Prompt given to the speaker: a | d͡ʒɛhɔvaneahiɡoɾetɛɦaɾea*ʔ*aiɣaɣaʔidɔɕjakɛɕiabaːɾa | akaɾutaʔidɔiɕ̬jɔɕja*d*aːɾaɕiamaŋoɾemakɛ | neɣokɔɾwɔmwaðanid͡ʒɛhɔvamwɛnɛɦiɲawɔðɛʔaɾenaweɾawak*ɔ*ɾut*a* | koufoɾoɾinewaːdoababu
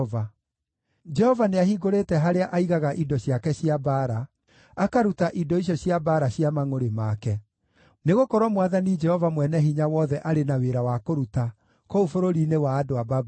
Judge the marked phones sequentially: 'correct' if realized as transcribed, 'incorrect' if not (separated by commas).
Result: correct, incorrect, incorrect, correct